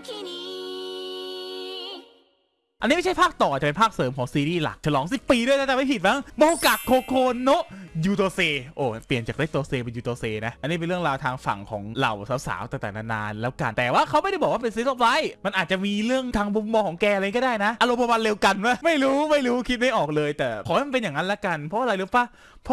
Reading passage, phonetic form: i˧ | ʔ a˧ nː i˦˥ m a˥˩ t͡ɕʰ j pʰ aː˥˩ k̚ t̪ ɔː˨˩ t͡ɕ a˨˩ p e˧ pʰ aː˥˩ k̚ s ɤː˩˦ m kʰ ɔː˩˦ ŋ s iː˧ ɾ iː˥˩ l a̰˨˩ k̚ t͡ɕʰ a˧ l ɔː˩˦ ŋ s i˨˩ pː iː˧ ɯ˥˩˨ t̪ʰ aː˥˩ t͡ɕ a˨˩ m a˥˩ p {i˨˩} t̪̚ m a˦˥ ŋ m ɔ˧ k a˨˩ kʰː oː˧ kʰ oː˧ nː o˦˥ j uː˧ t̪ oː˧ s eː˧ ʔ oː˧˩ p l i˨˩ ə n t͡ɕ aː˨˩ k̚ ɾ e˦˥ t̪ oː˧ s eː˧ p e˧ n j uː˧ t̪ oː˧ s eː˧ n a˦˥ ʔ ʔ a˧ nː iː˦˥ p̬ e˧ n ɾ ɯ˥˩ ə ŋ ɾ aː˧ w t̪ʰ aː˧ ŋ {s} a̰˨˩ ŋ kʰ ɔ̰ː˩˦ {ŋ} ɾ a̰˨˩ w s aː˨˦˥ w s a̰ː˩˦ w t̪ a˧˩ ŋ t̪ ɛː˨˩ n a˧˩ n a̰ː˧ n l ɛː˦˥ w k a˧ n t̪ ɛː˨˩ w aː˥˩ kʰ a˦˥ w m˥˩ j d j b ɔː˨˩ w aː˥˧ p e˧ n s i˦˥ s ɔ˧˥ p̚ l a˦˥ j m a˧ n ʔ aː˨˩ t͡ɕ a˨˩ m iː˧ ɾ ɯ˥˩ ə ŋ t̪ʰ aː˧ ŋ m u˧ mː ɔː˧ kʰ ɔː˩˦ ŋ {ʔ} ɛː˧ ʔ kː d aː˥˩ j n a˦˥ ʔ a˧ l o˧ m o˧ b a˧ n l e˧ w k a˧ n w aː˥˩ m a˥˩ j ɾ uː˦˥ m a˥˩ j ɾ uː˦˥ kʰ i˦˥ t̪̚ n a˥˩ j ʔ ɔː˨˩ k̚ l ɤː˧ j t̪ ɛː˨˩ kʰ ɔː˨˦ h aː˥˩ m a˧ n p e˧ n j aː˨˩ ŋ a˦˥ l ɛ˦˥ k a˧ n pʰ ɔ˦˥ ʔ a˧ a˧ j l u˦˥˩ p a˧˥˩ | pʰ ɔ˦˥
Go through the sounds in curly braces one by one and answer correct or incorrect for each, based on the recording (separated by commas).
correct, incorrect, correct, incorrect